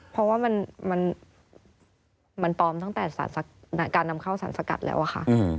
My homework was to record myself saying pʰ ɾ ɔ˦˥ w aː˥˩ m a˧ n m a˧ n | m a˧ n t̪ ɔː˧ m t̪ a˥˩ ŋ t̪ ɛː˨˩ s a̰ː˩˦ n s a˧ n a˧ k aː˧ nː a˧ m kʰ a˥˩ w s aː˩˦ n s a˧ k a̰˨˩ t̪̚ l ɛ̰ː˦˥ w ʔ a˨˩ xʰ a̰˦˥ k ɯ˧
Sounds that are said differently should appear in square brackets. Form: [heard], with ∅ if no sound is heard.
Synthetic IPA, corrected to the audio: pʰ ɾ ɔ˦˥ w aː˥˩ m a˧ n m a˧ n | m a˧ n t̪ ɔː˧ m t̪ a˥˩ ŋ t̪ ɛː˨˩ s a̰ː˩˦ n s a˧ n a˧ k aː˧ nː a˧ m kʰ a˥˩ w s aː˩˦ n s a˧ k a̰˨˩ t̪̚ l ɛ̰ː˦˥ w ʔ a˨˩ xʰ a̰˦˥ [ʔ] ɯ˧